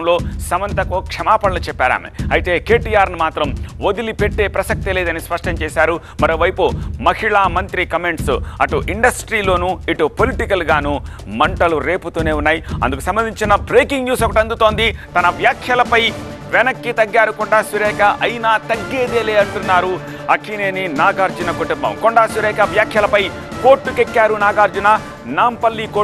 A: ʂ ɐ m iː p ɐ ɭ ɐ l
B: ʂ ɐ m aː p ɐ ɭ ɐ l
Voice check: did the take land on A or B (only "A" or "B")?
B